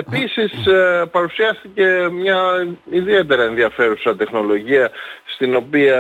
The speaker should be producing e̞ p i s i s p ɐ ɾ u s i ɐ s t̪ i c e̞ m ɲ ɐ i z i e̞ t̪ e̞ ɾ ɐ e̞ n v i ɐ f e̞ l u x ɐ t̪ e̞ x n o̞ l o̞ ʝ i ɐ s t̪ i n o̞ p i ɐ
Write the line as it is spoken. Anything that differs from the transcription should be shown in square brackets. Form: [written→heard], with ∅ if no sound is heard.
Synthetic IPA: e̞ p i s i s p ɐ ɾ u s i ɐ s t̪ i c e̞ m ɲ ɐ i [z→ð] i e̞ t̪ e̞ ɾ ɐ e̞ n [v→ð] i ɐ f e̞ [l→ɾ] u [x→s] ɐ t̪ e̞ x n o̞ l o̞ ʝ i ɐ s t̪ i n o̞ p i ɐ